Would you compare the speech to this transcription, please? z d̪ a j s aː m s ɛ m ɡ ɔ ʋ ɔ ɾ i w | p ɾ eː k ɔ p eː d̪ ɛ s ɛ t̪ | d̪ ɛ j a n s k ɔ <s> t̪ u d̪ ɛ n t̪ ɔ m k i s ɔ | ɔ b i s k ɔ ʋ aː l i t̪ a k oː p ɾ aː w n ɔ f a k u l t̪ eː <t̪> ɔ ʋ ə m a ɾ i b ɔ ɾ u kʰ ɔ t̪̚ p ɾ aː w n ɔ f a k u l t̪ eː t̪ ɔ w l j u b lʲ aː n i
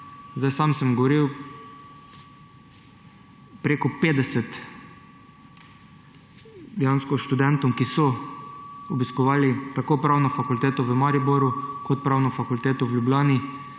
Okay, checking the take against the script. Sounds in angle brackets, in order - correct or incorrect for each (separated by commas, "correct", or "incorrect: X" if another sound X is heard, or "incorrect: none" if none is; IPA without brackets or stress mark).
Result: incorrect: ʃ, correct